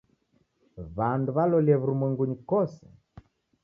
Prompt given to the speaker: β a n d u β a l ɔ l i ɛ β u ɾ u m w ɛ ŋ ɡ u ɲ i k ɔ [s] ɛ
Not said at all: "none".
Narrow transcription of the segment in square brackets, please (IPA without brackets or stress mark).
s